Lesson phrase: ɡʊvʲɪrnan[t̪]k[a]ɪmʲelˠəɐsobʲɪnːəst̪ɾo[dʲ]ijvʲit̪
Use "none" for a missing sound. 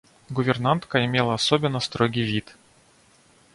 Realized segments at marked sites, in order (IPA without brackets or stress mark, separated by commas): t̪, ə, ɡʲ